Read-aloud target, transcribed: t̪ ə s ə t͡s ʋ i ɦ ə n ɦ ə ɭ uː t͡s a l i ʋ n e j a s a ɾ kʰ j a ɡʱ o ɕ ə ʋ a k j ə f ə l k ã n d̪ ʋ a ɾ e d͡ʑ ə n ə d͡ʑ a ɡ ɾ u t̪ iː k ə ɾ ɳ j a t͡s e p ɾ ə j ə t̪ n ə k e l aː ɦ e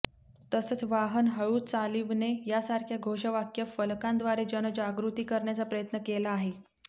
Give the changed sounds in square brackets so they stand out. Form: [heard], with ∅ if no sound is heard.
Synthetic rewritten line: t̪ ə s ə t͡s ʋ [a] ɦ ə n ɦ ə ɭ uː t͡s a l i ʋ n e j a s a ɾ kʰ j a ɡʱ o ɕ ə ʋ a k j ə f ə l k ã n d̪ ʋ a ɾ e d͡ʑ ə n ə d͡ʑ a ɡ ɾ u t̪ iː k ə ɾ ɳ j a t͡s [a] p ɾ ə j ə t̪ n ə k e l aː ɦ e